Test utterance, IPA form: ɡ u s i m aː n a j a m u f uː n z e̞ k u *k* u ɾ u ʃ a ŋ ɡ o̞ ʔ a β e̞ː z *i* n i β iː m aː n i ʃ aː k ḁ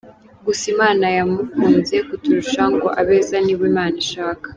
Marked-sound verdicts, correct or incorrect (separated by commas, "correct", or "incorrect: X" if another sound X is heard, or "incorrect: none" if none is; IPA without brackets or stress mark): incorrect: t, incorrect: a